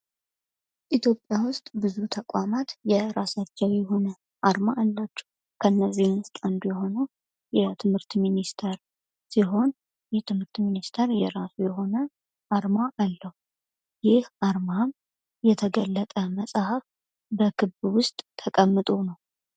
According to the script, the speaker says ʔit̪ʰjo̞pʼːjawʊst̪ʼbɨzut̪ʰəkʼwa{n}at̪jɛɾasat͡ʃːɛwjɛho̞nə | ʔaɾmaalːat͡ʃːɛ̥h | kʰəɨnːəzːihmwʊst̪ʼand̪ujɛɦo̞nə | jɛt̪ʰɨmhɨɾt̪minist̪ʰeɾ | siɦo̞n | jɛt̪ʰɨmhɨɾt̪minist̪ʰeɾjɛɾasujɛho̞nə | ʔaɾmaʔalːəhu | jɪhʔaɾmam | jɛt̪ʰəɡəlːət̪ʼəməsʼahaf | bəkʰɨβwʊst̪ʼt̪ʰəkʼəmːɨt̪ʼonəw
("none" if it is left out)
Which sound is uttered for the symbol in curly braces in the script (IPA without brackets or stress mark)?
m